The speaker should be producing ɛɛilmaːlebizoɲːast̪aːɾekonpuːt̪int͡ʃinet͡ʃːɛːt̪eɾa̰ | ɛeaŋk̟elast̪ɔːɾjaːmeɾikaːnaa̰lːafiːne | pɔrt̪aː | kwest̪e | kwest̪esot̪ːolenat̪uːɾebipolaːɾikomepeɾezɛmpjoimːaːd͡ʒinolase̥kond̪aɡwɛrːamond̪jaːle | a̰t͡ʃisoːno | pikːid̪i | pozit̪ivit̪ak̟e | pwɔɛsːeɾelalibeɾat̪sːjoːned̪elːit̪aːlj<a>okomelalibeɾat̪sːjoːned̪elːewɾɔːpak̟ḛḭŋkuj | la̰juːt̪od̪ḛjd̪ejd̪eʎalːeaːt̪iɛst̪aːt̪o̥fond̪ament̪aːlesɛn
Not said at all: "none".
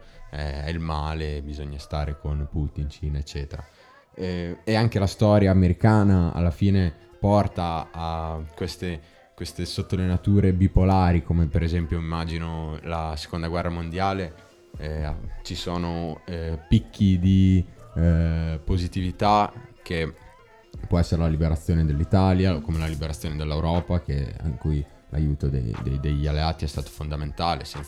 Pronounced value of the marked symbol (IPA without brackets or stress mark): a